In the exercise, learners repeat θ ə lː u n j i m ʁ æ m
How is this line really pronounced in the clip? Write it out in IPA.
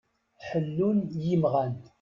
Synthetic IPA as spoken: ħ ə lː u n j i m ʁ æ n